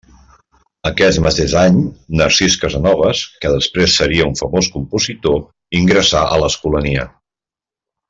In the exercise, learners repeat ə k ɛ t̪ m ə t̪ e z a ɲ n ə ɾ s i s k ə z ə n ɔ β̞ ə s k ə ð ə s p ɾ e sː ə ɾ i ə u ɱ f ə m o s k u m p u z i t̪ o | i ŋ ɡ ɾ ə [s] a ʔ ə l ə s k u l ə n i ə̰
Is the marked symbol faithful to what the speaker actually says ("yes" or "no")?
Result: yes